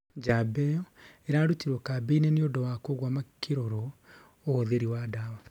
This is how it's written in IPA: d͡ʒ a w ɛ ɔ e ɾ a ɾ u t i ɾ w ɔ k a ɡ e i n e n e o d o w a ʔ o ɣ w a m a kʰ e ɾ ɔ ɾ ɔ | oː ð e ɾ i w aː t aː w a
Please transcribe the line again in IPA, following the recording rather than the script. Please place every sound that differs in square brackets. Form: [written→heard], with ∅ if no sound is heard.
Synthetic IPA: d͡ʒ a [w→b] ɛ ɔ e ɾ a ɾ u t i ɾ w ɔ k a [ɡ→b] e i n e n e o d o w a [ʔ→k] o ɣ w a m a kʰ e ɾ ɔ ɾ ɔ | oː ð e ɾ i w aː [t→d] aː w a

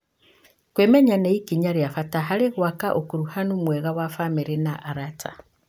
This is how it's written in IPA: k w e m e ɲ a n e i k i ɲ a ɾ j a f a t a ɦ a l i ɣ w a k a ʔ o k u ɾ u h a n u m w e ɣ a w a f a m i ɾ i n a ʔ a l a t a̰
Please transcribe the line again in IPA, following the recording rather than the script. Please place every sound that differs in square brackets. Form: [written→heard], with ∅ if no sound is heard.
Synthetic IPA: k w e m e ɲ a n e i k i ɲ a ɾ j a f a t a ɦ a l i ɣ w a k a ʔ o k u ɾ u h a n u m w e ɣ a w a f a m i ɾ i n a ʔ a [l→ɾ] a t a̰

